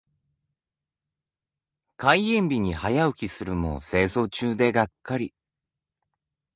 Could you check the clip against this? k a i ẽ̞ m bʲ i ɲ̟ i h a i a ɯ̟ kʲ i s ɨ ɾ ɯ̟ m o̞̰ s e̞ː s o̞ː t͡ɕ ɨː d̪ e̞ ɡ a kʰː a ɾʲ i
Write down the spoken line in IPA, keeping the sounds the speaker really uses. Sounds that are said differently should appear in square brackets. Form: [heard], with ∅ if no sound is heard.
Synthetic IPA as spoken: k a i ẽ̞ m bʲ i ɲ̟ i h a [j] a ɯ̟ kʲ i s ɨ ɾ ɯ̟ m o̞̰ s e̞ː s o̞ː t͡ɕ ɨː d̪ e̞ ɡ a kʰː a ɾʲ i